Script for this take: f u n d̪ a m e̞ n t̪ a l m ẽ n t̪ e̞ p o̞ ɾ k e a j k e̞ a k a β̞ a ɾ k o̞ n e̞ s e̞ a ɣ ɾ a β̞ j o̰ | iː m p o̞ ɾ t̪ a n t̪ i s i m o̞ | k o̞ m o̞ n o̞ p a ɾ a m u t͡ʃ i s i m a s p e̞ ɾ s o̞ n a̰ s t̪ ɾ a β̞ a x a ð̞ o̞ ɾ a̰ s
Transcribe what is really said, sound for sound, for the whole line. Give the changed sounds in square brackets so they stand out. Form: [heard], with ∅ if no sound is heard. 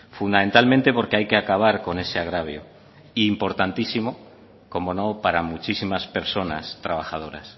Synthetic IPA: f u n d̪ a m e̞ n t̪ a l m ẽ n t̪ e̞ p o̞ ɾ k e a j k e̞ a k a β̞ a ɾ k o̞ n e̞ s e̞ a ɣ ɾ a β̞ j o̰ | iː m p o̞ ɾ t̪ a n t̪ i s i m o̞ | k o̞ m o̞ n o̞ p a ɾ a m u t͡ʃ i s i m a s p e̞ ɾ s o̞ n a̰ s t̪ ɾ a β̞ a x a ð̞ o̞ ɾ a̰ s